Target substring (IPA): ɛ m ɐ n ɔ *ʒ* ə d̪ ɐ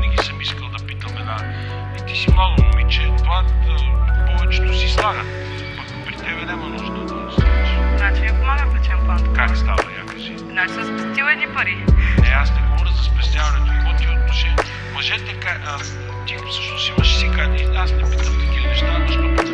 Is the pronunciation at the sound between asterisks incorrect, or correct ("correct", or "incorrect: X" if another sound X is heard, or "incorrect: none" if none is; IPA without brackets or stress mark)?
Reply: correct